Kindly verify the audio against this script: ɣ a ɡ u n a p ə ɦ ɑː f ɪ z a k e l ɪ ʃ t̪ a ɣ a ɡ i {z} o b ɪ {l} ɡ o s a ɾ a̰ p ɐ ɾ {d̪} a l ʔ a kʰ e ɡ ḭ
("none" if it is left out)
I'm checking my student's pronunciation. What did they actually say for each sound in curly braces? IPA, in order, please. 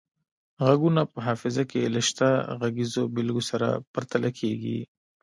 z, l, t̪

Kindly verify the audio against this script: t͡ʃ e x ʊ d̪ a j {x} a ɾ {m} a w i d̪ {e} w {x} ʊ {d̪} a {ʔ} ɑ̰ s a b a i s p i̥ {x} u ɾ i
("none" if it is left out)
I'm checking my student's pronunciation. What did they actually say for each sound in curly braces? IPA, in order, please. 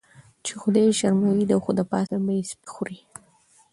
ʃ, m, a, x, d̪, p, x

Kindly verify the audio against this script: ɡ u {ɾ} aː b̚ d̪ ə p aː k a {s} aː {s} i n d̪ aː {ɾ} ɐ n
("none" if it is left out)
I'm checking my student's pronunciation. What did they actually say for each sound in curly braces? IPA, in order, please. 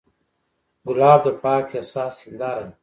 l, s, s, ɾ

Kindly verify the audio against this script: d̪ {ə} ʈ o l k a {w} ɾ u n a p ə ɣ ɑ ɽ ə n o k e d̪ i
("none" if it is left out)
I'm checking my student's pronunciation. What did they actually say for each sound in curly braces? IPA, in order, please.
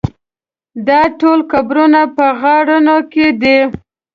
ɑ, b

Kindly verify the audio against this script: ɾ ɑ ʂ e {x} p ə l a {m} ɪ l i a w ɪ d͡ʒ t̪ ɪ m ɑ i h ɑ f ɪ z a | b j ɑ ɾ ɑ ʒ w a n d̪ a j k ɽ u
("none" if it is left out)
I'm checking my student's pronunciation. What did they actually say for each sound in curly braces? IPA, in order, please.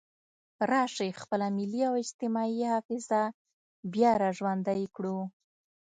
x, m

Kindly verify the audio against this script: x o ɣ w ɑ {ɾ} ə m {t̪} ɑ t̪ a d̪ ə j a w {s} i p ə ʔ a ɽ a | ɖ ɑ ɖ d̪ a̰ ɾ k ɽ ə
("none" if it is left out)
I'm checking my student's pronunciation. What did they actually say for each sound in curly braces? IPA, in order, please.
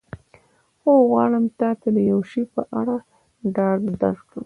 ɽ, t̪, ʃ

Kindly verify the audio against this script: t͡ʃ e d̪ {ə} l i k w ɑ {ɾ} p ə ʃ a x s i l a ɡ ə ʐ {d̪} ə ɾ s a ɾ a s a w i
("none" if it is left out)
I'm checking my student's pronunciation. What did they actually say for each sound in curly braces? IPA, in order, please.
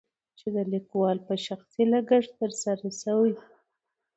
ə, l, t̪

